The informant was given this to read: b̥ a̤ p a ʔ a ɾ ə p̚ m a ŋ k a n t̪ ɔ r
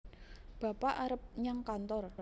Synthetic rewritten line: b̥ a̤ p a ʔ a ɾ ə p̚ ɲ a ŋ k a n t̪ ɔ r

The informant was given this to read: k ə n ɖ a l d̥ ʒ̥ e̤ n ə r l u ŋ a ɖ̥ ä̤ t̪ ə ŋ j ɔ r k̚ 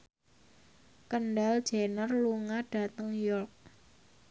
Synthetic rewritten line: k ə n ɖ a l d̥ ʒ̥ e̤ n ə r l u ŋ a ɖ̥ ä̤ t̪ ə ŋ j ɔ r k̚

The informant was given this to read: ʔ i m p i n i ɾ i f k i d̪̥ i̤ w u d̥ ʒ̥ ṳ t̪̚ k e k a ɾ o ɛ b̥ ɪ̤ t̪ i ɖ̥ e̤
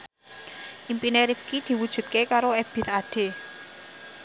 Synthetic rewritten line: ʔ i m p i n e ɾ i f k i d̪̥ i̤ w u d̥ ʒ̥ ṳ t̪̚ k e k a ɾ o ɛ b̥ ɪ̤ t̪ a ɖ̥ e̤

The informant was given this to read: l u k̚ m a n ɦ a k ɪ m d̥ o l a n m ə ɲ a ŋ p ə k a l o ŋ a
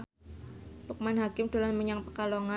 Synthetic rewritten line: l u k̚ m a n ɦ a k ɪ m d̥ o l a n m ə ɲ a ŋ p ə k a l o ŋ a

